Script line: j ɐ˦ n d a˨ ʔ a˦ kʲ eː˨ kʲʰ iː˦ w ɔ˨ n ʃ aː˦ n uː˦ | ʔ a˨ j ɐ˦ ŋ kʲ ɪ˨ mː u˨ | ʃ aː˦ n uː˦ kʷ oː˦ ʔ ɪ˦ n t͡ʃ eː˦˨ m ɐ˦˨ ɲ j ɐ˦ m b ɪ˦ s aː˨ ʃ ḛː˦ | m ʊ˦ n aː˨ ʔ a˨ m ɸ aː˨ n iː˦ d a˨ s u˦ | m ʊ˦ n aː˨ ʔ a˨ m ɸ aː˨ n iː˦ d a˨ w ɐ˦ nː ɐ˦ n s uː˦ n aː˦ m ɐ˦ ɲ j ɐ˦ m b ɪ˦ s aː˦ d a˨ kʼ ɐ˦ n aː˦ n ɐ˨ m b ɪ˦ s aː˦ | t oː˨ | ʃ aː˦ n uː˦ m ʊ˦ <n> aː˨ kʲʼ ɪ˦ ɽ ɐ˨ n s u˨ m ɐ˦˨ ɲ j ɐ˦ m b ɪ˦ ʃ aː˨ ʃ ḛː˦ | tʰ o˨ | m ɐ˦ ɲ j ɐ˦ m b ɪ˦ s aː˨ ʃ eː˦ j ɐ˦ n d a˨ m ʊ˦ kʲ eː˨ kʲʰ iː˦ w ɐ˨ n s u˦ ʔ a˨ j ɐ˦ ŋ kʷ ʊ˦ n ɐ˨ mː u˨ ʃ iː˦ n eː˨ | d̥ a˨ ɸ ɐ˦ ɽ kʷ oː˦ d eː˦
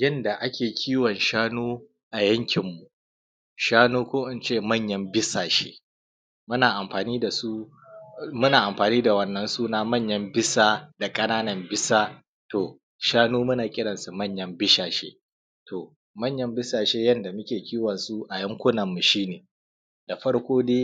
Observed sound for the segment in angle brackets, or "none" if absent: n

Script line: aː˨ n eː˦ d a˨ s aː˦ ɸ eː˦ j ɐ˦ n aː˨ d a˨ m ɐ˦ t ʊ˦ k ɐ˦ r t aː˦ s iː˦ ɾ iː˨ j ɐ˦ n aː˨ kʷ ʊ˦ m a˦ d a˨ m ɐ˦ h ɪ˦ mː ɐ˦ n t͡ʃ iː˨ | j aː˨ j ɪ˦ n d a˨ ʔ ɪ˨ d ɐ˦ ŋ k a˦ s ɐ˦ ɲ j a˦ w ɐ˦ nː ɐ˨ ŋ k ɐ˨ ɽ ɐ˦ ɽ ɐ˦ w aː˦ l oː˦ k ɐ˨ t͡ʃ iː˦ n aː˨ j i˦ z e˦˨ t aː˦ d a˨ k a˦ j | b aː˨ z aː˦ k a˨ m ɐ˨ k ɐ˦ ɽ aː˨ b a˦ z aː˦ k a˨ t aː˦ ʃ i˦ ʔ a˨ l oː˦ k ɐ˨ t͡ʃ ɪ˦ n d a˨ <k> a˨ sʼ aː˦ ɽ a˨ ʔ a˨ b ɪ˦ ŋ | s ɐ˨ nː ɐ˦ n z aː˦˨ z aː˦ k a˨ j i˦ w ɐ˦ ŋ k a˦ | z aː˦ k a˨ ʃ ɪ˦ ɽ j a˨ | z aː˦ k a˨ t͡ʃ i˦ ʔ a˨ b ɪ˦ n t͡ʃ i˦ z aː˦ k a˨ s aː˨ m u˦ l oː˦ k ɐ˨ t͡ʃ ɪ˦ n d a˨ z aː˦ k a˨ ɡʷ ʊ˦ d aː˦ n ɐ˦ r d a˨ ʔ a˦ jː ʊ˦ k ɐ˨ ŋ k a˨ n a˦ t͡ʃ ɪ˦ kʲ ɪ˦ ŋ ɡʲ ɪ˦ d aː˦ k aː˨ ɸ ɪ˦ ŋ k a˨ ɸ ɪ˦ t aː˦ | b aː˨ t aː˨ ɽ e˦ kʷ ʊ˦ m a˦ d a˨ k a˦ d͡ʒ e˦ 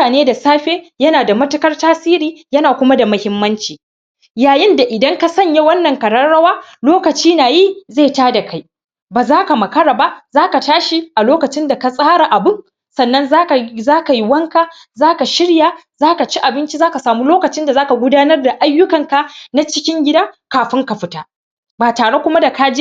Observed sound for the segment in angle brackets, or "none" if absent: k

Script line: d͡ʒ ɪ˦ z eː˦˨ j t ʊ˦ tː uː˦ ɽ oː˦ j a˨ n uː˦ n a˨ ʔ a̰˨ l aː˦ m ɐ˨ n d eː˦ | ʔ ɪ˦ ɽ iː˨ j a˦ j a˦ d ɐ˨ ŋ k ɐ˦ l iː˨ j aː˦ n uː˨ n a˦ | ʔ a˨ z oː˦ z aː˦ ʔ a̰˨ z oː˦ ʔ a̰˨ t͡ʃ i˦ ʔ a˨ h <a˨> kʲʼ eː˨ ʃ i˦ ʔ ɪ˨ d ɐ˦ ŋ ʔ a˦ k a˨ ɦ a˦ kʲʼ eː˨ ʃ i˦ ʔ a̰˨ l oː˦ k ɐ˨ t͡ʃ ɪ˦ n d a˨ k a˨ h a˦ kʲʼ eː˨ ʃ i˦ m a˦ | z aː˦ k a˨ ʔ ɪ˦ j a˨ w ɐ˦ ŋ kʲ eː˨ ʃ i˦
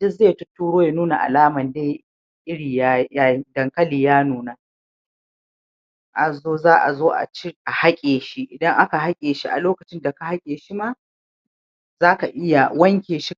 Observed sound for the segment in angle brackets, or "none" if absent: a˦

